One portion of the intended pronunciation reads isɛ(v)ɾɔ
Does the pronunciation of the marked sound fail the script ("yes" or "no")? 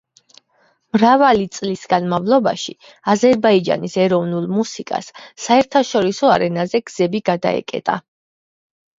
yes